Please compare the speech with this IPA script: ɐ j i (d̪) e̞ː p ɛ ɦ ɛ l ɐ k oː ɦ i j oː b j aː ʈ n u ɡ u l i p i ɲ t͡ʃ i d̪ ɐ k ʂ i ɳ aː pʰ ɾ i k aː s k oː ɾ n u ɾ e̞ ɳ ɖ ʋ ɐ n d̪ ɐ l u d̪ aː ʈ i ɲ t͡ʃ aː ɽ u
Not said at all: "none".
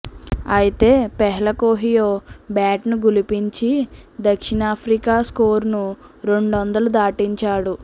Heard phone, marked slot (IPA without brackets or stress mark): t̪